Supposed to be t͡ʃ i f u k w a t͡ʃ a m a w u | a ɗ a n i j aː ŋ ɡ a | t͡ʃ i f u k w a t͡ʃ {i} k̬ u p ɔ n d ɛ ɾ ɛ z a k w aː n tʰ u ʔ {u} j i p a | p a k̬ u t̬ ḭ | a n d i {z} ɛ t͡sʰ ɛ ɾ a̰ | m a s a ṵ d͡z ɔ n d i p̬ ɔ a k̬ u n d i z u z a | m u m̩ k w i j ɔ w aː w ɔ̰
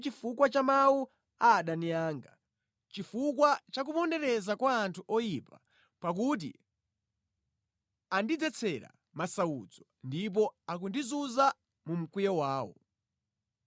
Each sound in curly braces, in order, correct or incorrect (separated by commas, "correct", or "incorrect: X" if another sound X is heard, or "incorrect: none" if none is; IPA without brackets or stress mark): incorrect: a, incorrect: ɔ, incorrect: d͡z